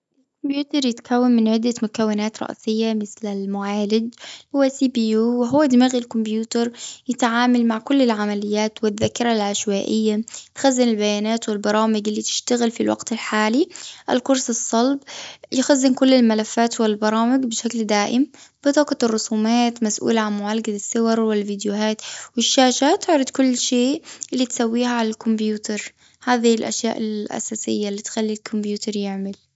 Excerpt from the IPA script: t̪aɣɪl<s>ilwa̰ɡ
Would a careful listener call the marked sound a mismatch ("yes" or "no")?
yes